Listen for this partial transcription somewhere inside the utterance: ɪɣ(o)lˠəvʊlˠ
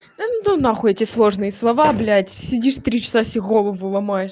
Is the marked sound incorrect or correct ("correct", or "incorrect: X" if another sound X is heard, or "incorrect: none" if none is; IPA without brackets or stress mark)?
correct